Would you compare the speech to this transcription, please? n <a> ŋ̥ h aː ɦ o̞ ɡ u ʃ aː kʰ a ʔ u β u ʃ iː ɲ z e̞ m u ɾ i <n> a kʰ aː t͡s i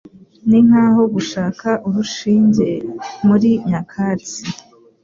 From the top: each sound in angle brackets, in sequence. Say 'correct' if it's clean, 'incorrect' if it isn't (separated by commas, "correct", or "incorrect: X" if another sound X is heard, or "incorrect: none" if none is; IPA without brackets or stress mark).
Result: incorrect: i, incorrect: ɲ